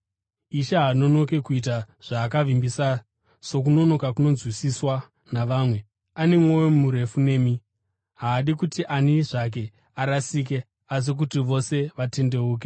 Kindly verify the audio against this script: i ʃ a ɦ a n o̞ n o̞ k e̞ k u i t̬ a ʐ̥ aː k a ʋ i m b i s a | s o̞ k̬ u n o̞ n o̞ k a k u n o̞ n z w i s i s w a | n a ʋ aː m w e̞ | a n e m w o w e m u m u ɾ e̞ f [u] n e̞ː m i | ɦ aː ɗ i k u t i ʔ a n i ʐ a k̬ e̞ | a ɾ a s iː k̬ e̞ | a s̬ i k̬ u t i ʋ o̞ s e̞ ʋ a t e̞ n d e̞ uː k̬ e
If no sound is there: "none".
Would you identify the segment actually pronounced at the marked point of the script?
u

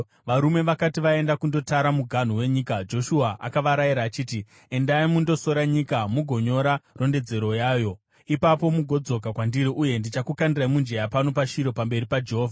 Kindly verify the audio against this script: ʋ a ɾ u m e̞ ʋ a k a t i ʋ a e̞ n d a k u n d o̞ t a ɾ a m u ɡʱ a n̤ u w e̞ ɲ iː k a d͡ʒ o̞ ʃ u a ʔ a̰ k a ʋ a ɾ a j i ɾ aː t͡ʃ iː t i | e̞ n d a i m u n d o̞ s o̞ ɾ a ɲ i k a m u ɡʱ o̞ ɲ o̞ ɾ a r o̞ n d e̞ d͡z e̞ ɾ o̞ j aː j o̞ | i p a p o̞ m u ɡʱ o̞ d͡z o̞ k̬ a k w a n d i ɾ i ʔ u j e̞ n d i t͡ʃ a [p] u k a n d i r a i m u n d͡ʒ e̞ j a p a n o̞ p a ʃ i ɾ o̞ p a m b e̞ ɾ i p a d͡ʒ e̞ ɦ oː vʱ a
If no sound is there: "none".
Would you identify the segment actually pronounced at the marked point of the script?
k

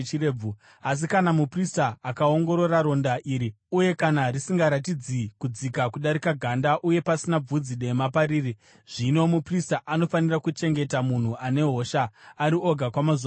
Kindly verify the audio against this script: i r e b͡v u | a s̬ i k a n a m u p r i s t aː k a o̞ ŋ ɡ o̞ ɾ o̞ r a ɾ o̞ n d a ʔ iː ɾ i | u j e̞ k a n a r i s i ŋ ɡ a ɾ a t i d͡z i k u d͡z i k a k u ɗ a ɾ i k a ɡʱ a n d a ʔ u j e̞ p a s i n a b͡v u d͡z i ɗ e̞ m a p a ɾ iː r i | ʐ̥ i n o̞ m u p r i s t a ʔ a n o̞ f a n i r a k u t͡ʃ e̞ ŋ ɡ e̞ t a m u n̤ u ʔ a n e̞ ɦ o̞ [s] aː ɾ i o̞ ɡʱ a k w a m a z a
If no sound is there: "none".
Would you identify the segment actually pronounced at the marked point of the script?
ʃ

